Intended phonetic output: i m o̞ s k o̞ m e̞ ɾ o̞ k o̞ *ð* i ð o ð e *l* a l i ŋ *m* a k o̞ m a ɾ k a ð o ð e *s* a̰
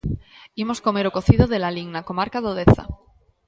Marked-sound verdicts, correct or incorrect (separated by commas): incorrect, correct, incorrect, incorrect